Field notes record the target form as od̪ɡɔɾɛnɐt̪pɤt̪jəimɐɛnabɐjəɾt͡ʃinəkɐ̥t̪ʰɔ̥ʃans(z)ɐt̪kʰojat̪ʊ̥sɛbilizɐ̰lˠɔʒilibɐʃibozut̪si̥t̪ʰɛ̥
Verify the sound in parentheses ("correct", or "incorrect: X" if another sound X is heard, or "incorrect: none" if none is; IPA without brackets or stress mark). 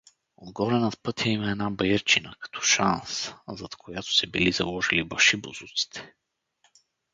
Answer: correct